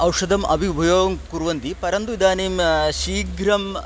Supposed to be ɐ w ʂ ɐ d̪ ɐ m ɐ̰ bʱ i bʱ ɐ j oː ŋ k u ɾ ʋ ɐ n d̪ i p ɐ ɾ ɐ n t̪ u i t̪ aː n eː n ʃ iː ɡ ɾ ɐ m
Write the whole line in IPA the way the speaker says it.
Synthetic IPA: ɐ w ʂ ɐ d̪ ɐ m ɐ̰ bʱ i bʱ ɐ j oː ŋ k u ɾ ʋ ɐ n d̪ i p ɐ ɾ ɐ n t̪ u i d̪ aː n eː m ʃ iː ɡ ɾ ɐ m